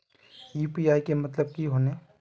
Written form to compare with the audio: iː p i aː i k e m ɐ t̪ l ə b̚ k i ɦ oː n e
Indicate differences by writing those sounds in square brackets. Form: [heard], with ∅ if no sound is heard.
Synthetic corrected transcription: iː p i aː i k e m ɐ t̪ l ə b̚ k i ɦ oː n e